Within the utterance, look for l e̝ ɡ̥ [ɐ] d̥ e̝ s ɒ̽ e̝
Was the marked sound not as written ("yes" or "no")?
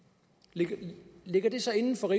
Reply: no